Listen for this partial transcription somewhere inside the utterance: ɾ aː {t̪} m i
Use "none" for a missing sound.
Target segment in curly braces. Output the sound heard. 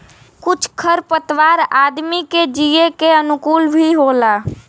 d̪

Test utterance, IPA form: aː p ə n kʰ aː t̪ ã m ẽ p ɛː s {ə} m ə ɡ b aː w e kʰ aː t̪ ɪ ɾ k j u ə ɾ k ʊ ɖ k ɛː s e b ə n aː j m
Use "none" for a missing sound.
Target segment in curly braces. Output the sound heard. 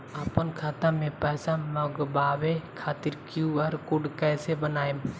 a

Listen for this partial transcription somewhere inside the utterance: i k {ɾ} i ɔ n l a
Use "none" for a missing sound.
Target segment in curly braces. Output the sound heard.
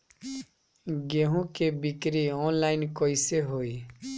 ɾ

